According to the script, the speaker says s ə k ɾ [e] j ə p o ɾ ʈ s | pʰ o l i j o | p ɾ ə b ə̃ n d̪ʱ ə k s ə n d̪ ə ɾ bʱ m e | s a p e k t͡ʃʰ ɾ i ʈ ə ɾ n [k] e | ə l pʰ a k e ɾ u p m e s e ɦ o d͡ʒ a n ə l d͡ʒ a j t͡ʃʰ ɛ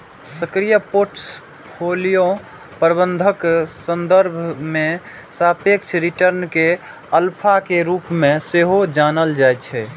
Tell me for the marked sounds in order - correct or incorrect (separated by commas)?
incorrect, correct